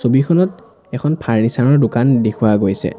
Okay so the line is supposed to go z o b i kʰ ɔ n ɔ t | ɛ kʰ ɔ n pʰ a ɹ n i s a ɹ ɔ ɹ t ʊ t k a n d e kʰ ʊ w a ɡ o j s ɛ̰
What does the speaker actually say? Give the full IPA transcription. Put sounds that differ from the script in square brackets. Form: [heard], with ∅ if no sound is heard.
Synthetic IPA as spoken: [s] o b i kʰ ɔ n ɔ t | ɛ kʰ ɔ n pʰ a ɹ n i s a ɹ ɔ ɹ [d] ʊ [∅] k a n d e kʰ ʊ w a ɡ o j s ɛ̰